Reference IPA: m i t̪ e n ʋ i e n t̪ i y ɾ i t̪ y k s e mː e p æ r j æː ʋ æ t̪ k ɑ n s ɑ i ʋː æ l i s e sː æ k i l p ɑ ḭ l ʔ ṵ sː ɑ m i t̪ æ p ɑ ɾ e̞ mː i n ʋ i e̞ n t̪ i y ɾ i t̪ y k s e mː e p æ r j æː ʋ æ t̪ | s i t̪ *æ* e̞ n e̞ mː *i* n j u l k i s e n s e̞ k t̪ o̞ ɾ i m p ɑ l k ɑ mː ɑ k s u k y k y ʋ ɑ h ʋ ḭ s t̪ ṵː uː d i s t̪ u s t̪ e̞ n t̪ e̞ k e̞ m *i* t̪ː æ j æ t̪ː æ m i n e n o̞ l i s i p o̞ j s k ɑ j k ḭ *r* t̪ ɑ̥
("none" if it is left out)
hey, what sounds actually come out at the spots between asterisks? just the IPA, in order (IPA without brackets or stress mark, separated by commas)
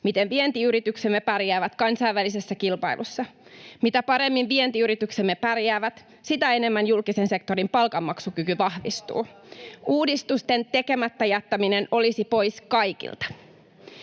æ, æ, æ, l